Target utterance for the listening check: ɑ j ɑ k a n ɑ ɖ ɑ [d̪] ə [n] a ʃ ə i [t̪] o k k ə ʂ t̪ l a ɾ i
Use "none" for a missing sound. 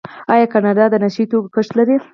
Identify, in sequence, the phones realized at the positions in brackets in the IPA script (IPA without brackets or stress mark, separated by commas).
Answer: d̪, n, t̪